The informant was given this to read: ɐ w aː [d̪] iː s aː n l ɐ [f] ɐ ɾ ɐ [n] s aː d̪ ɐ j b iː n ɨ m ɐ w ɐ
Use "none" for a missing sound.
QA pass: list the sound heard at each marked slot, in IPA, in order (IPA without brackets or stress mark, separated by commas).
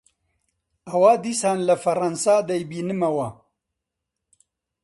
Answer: d̪, f, n